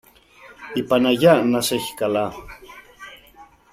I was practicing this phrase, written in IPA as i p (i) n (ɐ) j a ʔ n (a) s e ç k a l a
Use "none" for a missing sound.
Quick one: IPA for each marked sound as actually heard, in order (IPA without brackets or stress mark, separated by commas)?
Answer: a, a, a